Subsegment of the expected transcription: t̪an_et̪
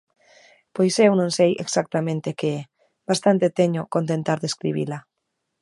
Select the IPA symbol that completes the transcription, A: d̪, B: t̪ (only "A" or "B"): B